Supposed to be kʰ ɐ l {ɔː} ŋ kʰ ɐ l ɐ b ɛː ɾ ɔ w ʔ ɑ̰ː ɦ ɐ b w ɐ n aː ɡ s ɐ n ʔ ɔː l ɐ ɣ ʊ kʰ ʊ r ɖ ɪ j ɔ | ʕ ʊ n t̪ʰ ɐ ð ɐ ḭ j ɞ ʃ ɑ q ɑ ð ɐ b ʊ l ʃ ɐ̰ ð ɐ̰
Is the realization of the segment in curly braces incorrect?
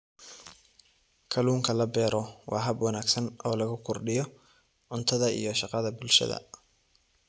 yes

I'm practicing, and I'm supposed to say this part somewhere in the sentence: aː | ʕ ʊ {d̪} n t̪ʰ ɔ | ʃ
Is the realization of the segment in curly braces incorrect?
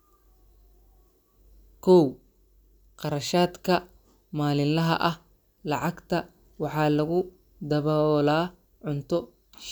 yes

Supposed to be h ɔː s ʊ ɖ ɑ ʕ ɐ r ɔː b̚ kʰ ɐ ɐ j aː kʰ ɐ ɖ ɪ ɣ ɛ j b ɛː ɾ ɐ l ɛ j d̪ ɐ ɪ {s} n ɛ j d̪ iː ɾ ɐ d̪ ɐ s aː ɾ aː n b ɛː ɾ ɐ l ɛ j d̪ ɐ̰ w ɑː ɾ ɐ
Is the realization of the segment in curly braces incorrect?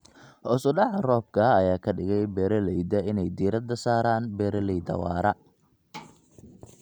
yes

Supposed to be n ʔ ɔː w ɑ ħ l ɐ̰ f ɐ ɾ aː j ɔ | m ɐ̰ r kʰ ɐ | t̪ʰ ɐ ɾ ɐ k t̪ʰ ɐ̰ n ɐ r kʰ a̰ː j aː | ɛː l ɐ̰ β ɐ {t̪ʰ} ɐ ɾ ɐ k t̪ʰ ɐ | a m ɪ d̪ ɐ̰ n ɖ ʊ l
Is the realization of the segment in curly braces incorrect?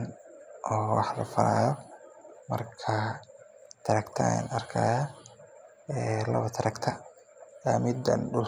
no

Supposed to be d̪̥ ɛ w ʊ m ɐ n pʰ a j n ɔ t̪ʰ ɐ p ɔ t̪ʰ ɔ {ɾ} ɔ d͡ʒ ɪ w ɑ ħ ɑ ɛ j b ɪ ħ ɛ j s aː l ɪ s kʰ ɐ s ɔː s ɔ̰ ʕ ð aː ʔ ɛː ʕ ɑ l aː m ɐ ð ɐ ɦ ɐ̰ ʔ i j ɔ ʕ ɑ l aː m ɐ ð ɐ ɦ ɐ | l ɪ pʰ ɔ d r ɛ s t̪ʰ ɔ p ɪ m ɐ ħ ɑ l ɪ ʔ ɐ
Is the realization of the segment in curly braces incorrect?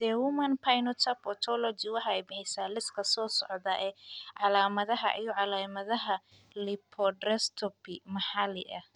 yes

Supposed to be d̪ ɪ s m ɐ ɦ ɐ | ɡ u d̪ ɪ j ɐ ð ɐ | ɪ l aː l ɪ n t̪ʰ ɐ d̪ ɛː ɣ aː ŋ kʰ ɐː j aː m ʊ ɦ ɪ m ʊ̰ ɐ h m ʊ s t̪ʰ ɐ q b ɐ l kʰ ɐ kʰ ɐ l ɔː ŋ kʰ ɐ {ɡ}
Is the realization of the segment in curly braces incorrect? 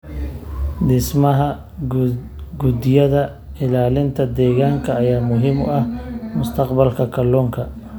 yes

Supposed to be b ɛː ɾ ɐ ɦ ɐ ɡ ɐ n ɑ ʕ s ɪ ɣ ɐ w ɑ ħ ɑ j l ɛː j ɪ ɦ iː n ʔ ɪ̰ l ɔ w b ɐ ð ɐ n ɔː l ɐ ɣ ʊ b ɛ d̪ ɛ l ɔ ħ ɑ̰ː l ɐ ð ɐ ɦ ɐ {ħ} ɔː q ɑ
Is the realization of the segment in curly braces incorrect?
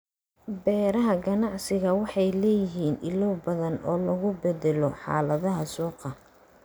yes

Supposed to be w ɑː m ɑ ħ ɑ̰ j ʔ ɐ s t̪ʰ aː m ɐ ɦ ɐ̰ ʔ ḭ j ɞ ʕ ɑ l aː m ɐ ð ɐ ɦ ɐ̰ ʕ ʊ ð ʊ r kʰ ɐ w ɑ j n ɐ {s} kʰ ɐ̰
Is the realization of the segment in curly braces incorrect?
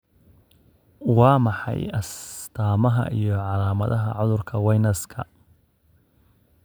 no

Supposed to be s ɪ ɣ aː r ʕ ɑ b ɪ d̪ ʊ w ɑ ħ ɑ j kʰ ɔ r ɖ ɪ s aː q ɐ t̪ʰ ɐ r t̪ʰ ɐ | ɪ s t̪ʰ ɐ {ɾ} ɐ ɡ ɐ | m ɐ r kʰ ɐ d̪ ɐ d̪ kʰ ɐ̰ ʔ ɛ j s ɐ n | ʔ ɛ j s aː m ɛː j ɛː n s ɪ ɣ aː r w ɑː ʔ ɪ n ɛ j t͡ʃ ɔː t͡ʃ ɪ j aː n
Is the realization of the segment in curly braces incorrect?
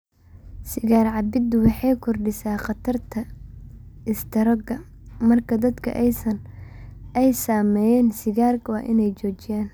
no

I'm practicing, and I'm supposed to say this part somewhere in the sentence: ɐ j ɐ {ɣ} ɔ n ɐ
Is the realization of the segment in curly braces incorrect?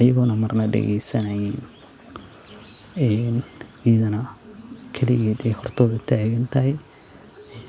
no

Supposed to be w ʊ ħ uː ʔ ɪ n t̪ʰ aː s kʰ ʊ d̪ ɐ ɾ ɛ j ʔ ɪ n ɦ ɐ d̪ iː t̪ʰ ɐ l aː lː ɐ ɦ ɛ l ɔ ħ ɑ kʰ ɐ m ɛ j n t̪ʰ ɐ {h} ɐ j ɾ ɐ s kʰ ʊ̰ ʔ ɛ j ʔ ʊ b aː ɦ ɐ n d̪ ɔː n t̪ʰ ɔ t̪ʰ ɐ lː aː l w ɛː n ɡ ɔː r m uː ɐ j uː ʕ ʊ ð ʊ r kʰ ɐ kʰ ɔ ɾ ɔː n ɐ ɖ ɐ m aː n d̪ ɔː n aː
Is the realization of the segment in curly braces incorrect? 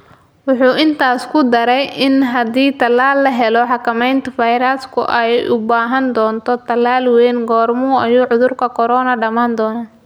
yes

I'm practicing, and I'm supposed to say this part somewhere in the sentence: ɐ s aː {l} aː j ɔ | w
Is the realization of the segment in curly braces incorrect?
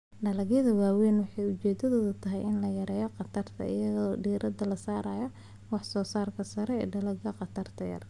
yes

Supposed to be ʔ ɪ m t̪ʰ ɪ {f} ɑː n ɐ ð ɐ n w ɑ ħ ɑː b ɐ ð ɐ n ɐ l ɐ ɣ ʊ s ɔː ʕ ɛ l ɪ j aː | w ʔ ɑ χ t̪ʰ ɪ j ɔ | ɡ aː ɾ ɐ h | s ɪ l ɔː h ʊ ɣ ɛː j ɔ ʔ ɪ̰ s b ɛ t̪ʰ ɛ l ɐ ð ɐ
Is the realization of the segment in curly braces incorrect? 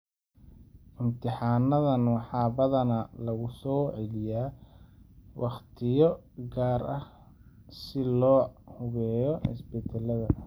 yes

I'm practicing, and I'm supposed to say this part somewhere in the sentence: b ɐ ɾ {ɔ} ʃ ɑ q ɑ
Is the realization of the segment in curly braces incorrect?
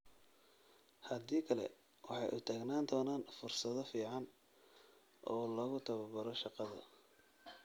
no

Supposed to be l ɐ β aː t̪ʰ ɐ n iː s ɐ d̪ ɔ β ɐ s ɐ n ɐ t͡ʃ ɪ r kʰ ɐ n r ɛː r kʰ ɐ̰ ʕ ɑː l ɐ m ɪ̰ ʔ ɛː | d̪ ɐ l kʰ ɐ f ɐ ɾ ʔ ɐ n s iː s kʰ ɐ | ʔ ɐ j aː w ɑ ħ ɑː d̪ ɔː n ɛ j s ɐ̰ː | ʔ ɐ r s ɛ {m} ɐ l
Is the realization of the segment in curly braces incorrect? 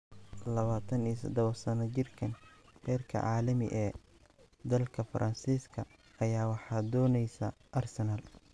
yes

